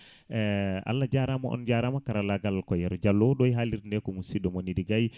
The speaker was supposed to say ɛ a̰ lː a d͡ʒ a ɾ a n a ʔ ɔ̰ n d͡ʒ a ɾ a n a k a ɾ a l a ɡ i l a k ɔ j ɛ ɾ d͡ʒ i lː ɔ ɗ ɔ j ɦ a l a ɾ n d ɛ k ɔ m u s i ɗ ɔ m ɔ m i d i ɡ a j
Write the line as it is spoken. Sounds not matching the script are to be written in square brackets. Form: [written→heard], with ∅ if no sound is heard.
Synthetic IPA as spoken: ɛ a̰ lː a d͡ʒ a ɾ a [n→m] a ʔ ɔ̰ n d͡ʒ a ɾ a [n→m] a k a ɾ a l a ɡ [i→a] l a k ɔ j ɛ ɾ d͡ʒ [i→a] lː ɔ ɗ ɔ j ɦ a l [a→i] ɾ n d ɛ k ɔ m u s i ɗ ɔ m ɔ [m→n] i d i ɡ a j